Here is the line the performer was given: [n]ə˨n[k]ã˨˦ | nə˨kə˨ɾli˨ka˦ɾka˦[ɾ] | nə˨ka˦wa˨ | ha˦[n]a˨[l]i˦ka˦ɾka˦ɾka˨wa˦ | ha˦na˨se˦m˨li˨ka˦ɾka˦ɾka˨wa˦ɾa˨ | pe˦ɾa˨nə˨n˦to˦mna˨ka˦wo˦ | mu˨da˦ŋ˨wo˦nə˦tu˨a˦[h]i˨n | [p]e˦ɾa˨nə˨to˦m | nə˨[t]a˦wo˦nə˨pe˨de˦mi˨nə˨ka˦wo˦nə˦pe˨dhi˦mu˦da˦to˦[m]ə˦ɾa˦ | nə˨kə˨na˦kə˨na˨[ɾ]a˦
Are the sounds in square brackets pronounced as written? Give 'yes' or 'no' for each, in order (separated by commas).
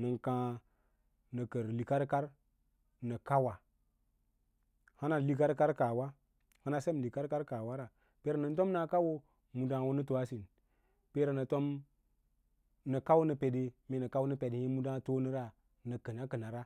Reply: yes, yes, yes, yes, yes, no, yes, no, no, yes